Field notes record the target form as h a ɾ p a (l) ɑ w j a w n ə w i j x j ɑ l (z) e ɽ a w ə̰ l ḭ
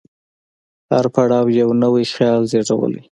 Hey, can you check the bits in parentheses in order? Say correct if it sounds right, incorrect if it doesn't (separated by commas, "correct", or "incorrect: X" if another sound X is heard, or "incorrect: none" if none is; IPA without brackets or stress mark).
incorrect: ɽ, correct